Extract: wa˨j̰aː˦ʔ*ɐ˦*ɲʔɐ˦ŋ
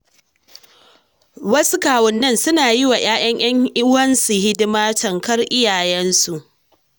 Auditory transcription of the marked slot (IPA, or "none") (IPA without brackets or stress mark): ɐ˦